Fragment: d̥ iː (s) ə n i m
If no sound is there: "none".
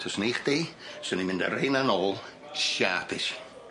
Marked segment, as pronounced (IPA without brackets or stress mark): s